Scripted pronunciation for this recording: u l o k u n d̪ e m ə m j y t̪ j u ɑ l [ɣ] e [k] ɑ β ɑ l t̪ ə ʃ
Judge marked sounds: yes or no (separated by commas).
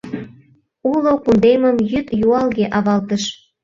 yes, no